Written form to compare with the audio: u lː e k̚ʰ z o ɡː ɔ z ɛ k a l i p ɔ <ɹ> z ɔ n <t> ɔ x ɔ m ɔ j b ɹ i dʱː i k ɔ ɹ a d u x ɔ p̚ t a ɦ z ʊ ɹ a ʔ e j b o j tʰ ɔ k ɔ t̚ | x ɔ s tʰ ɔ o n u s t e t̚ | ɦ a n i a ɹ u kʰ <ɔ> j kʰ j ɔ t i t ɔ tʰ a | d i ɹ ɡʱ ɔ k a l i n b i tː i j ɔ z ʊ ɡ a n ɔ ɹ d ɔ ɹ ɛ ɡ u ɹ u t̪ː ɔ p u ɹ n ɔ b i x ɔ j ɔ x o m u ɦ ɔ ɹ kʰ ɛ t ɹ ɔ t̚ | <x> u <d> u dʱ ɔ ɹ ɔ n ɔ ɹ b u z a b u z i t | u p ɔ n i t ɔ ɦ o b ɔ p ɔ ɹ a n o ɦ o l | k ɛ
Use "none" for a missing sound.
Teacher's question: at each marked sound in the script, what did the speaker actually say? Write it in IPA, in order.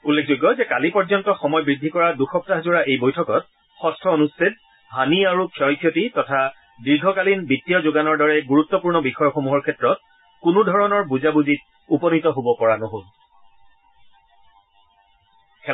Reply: ɹ, t, ɔ, k, n

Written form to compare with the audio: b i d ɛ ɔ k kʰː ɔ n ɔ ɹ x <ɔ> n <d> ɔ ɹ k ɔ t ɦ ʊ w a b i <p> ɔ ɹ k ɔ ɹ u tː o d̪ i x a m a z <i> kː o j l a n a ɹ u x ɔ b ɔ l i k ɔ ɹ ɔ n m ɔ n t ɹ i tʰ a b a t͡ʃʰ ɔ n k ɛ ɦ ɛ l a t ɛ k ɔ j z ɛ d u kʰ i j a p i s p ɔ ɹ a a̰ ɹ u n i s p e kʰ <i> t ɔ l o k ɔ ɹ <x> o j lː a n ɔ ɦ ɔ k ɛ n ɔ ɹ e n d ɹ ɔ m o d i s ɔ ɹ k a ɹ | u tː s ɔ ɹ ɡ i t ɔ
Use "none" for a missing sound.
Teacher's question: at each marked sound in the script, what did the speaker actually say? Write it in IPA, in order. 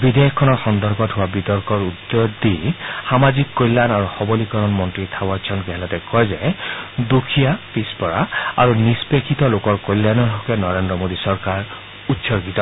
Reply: ɔ, d, t, i, i, k

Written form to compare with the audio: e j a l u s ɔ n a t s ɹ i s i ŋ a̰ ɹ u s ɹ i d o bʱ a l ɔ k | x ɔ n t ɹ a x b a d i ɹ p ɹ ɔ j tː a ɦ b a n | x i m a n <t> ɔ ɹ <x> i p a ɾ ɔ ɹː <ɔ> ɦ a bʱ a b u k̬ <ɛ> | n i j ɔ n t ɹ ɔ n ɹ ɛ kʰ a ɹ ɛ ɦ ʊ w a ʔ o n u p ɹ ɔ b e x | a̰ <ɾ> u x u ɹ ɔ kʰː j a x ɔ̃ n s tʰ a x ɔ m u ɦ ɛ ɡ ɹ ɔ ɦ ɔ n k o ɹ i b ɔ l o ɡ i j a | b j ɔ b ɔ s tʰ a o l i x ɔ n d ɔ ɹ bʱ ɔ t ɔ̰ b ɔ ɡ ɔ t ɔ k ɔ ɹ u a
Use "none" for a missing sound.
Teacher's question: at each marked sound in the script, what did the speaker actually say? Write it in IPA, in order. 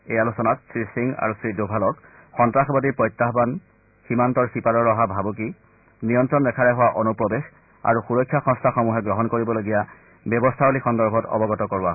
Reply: t, s, ɔ, i, ɹ

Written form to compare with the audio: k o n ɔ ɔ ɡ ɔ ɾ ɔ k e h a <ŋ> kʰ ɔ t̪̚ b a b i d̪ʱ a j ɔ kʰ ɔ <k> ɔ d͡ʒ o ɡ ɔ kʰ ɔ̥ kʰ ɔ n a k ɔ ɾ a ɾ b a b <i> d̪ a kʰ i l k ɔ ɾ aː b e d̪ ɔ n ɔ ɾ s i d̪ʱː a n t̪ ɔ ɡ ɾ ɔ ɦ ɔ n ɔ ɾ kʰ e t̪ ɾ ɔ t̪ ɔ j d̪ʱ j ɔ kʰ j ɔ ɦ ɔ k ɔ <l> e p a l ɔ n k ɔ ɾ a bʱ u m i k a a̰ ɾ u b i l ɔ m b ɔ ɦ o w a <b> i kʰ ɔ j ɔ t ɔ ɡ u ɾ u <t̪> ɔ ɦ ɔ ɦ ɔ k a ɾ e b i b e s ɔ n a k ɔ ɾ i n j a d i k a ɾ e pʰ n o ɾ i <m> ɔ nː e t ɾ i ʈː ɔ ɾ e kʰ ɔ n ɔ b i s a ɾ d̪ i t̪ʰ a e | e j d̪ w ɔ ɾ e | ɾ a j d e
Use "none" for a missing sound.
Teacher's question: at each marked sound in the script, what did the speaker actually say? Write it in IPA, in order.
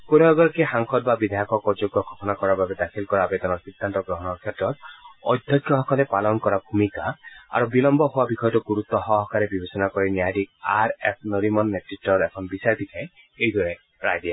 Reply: ŋ, k, e, l, b, t̪, m

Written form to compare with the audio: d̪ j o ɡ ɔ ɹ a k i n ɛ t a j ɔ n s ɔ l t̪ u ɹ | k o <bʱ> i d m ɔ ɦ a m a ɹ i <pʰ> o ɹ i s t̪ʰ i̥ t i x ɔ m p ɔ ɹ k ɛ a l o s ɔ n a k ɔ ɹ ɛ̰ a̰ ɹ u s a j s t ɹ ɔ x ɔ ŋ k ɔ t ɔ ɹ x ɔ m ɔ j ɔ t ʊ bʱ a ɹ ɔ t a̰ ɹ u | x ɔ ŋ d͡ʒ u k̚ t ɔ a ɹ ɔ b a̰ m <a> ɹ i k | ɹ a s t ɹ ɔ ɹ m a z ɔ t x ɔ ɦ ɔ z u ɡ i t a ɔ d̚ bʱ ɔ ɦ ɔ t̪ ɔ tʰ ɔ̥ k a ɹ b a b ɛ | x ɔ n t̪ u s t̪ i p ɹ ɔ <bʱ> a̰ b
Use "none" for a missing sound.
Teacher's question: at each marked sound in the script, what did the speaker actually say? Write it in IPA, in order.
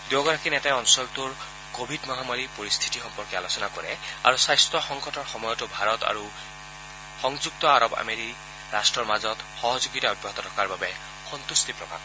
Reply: bʱ, p, e, bʱ

